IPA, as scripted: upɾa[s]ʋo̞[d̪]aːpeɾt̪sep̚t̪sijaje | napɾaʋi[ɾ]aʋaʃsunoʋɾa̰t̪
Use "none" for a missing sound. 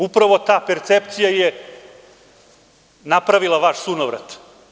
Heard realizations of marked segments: none, t̪, l

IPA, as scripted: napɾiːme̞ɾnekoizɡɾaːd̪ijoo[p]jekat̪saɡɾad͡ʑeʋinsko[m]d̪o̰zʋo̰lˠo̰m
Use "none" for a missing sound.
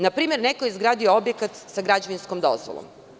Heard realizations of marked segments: b, m

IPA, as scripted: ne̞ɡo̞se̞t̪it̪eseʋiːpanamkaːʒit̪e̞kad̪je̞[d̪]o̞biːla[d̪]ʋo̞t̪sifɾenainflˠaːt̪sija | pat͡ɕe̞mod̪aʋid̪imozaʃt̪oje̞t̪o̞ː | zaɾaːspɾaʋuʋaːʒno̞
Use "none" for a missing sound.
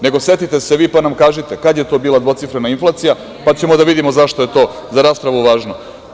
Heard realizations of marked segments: t̪, d̪

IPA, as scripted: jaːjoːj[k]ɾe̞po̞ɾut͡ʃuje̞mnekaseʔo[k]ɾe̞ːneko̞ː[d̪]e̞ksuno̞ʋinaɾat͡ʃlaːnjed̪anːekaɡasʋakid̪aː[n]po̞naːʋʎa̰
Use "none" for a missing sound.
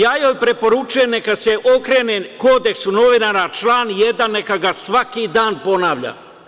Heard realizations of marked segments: p, k, d̪, n

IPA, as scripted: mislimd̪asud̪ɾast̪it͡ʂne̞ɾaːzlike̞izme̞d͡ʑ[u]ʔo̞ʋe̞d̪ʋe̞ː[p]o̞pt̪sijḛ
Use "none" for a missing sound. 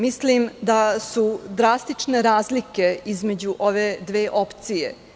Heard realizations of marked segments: u, ʔ

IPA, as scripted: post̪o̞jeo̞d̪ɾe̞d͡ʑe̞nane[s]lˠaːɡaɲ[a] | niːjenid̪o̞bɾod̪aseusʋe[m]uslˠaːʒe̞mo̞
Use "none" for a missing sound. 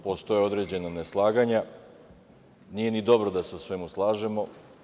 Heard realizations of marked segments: s, a, m

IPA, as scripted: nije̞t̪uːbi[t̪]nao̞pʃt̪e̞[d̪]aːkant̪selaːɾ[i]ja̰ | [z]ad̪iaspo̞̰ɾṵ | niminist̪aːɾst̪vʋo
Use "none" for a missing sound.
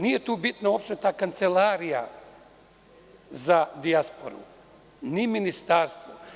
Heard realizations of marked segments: t̪, t̪, i, z

